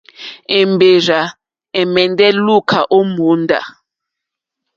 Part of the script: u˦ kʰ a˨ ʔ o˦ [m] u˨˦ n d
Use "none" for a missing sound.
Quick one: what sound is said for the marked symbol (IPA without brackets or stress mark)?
m